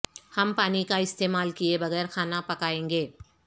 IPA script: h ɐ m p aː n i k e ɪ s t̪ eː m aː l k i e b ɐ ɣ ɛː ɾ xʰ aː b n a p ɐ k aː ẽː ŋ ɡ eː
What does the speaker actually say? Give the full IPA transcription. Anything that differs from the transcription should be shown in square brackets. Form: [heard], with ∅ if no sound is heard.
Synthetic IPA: h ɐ m p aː n i k [a] ɪ s t̪ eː m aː l k i e b ɐ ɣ ɛː ɾ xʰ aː [∅] n a p ɐ k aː ẽː ŋ ɡ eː